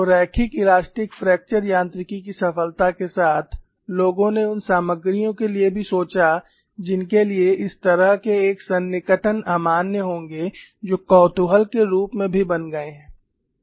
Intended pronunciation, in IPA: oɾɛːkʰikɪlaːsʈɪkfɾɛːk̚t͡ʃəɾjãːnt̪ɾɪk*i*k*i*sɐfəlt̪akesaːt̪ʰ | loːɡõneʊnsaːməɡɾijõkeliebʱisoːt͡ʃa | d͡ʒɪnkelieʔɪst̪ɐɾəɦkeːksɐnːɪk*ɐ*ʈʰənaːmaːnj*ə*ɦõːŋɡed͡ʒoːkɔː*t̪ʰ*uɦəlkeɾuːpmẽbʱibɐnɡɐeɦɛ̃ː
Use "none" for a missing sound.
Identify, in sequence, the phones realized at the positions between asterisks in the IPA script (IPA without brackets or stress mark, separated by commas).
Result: i, i, ə, ə, t̪